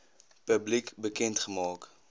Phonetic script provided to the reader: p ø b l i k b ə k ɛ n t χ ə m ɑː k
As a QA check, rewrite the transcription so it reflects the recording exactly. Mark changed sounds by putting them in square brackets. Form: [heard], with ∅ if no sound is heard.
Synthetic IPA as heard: p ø b l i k b ə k ɛ n t χ ə m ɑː k